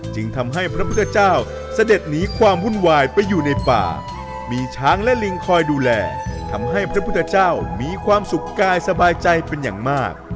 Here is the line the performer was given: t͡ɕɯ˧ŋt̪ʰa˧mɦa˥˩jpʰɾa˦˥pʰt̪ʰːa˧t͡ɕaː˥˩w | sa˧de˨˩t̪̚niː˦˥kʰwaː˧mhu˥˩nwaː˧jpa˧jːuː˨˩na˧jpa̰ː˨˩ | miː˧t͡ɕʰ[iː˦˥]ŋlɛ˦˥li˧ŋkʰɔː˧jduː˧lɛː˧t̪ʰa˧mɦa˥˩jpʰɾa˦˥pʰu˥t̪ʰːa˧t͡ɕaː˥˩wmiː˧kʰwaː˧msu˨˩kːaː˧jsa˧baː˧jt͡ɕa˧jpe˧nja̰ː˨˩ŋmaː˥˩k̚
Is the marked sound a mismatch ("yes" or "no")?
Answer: yes